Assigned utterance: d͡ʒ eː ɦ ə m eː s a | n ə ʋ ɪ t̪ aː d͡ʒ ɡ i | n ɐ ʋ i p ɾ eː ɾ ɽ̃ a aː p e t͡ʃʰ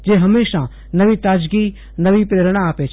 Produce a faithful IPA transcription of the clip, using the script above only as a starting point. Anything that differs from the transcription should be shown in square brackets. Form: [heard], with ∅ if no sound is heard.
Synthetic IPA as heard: d͡ʒ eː ɦ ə m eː [ʃ] a | n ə ʋ [i] t̪ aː d͡ʒ ɡ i | n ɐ ʋ i p ɾ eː ɾ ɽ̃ a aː p e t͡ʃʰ

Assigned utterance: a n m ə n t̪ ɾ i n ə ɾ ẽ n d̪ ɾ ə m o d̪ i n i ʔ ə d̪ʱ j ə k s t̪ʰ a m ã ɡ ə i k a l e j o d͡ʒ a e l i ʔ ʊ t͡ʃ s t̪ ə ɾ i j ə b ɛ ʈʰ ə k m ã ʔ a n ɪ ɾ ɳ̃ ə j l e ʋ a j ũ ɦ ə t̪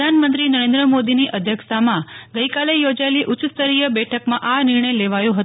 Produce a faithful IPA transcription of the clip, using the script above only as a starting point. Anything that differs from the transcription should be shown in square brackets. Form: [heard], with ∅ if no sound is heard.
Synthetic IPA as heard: a n m ə n t̪ ɾ i n ə ɾ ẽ n d̪ ɾ ə m o d̪ i n i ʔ ə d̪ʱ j ə k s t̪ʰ a m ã ɡ ə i k a l e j o d͡ʒ a e l i ʔ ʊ t͡ʃ s t̪ ə ɾ i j ə b ɛ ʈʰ ə k m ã ʔ a n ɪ ɾ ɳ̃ ə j l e ʋ a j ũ ɦ ə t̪

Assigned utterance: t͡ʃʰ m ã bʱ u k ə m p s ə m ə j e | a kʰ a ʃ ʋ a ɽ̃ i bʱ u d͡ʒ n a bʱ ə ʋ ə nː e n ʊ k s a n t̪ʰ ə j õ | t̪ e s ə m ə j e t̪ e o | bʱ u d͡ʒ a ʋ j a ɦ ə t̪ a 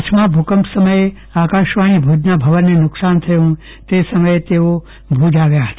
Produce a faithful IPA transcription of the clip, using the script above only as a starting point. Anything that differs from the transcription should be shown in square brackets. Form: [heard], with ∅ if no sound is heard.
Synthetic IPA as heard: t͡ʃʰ m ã bʱ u k ə m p s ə m ə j e | a [k] a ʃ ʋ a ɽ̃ i bʱ u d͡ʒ n a bʱ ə ʋ ə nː e n ʊ k s a n t̪ʰ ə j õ | t̪ e s ə m ə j e t̪ e o | bʱ u d͡ʒ a ʋ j a ɦ ə t̪ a

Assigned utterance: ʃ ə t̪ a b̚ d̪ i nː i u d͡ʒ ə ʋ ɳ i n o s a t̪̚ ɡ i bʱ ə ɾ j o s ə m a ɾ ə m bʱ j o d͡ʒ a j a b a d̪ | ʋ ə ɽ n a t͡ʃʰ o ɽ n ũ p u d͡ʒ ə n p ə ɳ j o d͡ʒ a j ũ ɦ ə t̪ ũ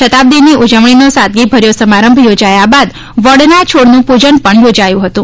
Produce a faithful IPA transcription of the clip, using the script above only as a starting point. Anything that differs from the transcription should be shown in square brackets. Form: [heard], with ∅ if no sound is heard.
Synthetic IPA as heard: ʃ ə t̪ a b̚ d̪ i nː i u d͡ʒ ə ʋ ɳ i n o s a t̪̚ ɡ i bʱ ə ɾ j o s ə m a ɾ ə m bʱ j o d͡ʒ a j a b a d̪ | ʋ ə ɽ n a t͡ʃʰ o ɽ n ũ p u d͡ʒ ə n p ə ɳ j o d͡ʒ a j ũ ɦ ə t̪ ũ

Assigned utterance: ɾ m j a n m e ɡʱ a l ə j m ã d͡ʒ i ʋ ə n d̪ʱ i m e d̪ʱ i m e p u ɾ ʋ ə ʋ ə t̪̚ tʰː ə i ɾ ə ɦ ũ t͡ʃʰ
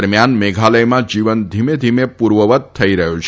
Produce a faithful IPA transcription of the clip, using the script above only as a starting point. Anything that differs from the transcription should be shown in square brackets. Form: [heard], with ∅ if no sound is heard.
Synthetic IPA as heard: ɾ m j a n m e ɡʱ a l ə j m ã d͡ʒ i ʋ ə n d̪ʱ i m e d̪ʱ i m e p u ɾ ʋ ə ʋ ə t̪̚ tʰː ə i ɾ ə ɦ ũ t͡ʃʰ

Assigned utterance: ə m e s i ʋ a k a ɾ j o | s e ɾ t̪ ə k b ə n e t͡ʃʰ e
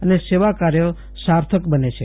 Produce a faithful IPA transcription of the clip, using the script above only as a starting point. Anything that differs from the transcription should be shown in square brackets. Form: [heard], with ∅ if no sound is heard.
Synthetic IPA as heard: ə [n] e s [e] ʋ a k a ɾ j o | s [a] ɾ [t̪ʰ] ə k b ə n e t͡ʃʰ e

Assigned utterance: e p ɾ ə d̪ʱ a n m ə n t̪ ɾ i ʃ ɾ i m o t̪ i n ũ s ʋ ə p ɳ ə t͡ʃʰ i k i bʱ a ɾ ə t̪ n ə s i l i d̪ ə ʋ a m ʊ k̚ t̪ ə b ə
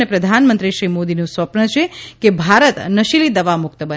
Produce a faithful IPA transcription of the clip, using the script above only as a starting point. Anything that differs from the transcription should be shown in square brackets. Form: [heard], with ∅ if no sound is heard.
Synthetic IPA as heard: e p ɾ ə d̪ʱ a n m ə n t̪ ɾ i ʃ ɾ i m o [d̪] i n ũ s ʋ ə p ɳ ə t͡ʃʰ [e] k [e] bʱ a ɾ ə t̪ n ə [ʃ] i l i d̪ ə ʋ a m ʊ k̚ t̪ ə b ə

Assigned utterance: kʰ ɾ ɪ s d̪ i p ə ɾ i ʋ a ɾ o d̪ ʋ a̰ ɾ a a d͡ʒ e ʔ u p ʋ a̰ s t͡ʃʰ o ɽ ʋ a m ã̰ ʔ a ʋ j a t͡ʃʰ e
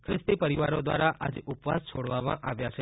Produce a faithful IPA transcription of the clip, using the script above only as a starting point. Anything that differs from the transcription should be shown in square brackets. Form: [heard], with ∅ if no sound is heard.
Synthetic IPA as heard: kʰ ɾ ɪ s [t̪] i p ə ɾ i ʋ a ɾ o d̪ ʋ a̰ ɾ a a d͡ʒ e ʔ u p ʋ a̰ s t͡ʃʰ o ɽ ʋ a m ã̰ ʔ a ʋ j a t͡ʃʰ e

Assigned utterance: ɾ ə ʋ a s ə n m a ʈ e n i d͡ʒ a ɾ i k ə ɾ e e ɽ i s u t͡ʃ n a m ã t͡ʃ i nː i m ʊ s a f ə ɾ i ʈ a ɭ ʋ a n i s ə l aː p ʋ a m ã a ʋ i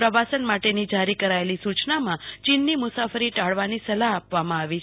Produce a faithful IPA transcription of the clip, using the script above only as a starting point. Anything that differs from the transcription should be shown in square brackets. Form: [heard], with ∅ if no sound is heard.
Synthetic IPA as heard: ɾ ə ʋ a s ə n m a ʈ e n i d͡ʒ a ɾ i k ə ɾ [a] e [l] i s u t͡ʃ n a m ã t͡ʃ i nː i m ʊ s a f ə ɾ i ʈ a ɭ ʋ a n i s ə l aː p ʋ a m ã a ʋ i

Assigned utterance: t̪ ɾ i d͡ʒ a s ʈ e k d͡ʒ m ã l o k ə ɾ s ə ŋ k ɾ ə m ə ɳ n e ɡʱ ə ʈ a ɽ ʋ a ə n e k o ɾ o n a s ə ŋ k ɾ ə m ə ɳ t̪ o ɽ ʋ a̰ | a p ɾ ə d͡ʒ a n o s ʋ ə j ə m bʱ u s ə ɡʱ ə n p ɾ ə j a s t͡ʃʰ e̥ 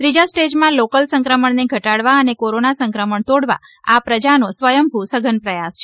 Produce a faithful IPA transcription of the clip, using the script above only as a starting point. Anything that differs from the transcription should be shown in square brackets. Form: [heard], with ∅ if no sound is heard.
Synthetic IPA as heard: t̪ ɾ i d͡ʒ a s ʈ e [∅] d͡ʒ m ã l o k ə [l] s ə ŋ k ɾ ə m ə ɳ n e ɡʱ ə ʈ a ɽ ʋ a ə n e k o ɾ o n a s ə ŋ k ɾ ə m ə ɳ t̪ o ɽ ʋ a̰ | a p ɾ ə d͡ʒ a n o s ʋ ə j ə m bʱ u s ə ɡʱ ə n p ɾ ə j a s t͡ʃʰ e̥

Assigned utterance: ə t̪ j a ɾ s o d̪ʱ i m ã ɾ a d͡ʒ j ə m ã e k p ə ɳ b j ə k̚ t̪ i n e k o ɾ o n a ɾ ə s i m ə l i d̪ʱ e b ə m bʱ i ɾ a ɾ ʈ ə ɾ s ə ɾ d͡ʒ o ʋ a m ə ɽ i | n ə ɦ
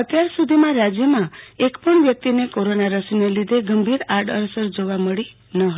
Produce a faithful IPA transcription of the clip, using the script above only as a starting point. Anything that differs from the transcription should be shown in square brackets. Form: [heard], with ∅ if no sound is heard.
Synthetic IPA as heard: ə t̪ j a ɾ s [u] d̪ʱ i m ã ɾ a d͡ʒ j ə m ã e k p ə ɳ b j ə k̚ t̪ i n e k o ɾ o n a ɾ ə s i [n] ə l i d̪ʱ e [ɡ] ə m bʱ i ɾ a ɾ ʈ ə ɾ s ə ɾ d͡ʒ o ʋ a m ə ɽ i | n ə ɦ

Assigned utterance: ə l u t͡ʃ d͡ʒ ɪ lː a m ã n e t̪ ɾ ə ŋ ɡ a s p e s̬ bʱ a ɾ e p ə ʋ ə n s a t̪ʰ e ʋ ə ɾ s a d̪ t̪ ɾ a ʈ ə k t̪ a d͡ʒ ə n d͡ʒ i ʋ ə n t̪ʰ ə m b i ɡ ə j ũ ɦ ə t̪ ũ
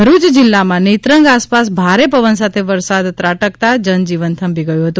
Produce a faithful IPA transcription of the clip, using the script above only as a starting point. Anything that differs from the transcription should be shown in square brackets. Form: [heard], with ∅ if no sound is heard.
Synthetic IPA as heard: ə [ɾ] u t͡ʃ d͡ʒ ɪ lː a m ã n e t̪ ɾ ə ŋ ɡ a s p [a] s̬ bʱ a ɾ e p ə ʋ ə n s a t̪ʰ e ʋ ə ɾ s a d̪ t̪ ɾ a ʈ ə k t̪ a d͡ʒ ə n d͡ʒ i ʋ ə n t̪ʰ ə m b i ɡ ə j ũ ɦ ə t̪ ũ

